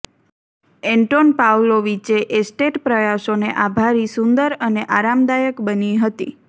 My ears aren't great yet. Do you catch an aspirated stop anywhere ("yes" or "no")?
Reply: no